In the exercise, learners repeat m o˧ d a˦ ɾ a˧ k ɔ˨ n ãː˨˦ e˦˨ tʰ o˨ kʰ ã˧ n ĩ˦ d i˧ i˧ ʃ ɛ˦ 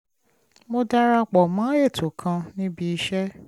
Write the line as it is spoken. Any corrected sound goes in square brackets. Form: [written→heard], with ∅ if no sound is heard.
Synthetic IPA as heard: m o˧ d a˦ ɾ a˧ [k→k͡p] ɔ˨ [n→m] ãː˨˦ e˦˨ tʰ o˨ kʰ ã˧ n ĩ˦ [d→b] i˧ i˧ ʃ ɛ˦